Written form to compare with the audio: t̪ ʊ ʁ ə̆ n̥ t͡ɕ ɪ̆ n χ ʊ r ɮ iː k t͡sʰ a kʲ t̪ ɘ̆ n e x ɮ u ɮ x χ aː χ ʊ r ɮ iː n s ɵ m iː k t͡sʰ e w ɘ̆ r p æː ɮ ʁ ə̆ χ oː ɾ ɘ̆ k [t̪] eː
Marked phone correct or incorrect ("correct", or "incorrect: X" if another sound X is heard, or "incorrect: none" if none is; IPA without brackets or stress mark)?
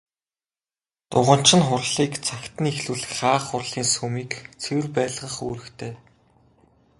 incorrect: t̪ʰ